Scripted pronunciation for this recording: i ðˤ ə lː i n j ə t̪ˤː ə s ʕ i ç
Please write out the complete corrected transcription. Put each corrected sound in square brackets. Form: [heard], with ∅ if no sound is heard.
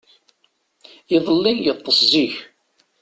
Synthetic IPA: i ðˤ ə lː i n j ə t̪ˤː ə s [z] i ç

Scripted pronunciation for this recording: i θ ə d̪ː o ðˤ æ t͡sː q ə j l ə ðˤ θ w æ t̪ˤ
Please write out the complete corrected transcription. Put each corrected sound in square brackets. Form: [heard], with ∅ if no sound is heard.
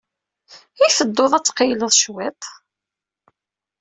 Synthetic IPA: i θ ə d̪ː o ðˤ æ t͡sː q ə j l ə ðˤ [ʃ] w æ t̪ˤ

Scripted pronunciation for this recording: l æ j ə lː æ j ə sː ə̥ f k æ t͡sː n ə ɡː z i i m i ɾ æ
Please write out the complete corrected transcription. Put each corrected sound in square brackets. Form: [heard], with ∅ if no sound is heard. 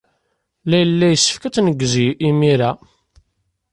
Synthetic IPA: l æ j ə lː æ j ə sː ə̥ f k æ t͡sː n ə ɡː z i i m i ɾ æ

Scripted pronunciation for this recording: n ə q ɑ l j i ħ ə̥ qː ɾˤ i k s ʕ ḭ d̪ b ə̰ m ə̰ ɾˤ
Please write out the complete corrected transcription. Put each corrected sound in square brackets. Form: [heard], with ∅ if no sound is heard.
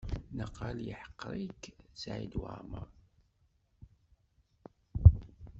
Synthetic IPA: n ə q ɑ l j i ħ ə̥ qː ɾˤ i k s ʕ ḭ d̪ [w] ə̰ m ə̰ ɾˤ

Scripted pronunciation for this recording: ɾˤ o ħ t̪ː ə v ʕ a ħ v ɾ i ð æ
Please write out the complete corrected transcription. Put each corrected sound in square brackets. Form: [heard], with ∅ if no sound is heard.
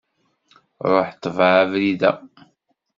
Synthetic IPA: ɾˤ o ħ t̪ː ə v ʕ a [∅] v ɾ i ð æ

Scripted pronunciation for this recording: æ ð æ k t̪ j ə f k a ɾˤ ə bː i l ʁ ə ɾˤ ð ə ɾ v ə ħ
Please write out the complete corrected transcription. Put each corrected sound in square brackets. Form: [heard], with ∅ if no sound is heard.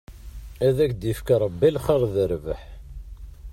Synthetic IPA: æ ð æ k [d̪] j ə f k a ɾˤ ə bː i l [χ] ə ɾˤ ð ə ɾ v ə ħ

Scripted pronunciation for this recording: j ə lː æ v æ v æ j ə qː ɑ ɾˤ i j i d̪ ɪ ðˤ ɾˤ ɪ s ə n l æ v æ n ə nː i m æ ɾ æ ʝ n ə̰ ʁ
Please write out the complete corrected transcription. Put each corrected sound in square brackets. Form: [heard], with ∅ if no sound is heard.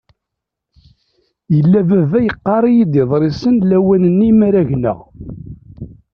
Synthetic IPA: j ə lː æ v æ v æ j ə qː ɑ ɾˤ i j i d̪ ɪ ðˤ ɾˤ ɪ s ə n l æ [w] æ n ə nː i m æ ɾ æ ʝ n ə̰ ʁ

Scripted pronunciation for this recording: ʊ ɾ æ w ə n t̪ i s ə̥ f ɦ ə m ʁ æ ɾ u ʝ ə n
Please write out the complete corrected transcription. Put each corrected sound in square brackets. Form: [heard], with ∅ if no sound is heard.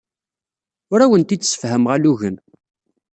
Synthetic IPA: ʊ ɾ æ w ə n t̪ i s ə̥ f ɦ ə m ʁ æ [l] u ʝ ə n

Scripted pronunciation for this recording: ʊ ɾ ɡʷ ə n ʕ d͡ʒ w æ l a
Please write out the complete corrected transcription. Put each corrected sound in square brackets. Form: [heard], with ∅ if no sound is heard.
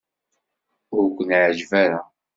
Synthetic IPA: ʊ ɾ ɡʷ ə n ʕ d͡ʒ [v] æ [ɾ] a

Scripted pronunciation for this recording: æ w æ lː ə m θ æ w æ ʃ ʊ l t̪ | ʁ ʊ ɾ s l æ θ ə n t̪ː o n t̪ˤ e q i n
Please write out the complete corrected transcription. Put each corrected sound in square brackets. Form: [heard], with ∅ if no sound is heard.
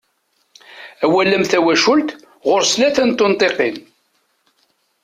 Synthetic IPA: æ w æ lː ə m θ æ w æ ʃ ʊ l t̪ | ʁ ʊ ɾ s l æ θ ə n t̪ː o n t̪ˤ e q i n

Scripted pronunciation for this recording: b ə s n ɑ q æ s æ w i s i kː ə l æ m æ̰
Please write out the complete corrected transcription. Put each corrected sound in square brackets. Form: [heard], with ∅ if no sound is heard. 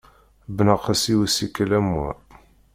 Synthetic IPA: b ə [∅] n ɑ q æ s [i] w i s i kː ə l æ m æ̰

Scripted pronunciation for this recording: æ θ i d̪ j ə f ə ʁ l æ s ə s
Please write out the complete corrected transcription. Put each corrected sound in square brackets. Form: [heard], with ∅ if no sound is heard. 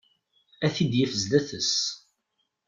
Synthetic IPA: æ θ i d̪ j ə f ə [z] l æ [θ] ə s

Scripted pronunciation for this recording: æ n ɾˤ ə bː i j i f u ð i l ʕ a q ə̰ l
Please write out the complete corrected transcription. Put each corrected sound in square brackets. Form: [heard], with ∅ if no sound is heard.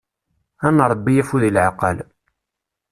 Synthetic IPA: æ n ɾˤ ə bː i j [æ] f u ð i l ʕ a q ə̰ l

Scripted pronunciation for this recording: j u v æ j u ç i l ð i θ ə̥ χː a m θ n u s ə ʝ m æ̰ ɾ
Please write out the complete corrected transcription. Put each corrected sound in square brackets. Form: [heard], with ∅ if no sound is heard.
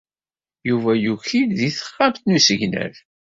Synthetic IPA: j u v æ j u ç i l ð i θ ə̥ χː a m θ n u s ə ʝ [n] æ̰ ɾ

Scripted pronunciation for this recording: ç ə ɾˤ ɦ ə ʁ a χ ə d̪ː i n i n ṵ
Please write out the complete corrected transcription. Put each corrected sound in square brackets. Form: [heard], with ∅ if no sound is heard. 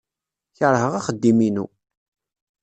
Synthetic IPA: ç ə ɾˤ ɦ ə ʁ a χ ə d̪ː i [m] i n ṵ

